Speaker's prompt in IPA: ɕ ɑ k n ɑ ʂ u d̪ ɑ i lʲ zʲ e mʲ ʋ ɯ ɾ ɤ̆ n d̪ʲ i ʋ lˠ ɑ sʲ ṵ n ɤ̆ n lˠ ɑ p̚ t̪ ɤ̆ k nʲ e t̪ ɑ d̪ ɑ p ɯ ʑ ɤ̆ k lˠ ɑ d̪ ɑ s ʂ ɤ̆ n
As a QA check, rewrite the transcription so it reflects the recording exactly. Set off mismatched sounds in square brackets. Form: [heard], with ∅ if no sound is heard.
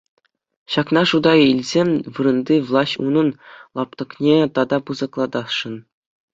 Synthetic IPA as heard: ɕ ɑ k n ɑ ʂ u d̪ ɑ i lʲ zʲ e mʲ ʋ ɯ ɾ ɤ̆ n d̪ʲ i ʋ lˠ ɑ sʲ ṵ n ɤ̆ n lˠ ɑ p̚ t̪ ɤ̆ k nʲ e t̪ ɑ d̪ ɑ p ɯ [z] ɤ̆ k lˠ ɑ d̪ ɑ s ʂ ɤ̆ n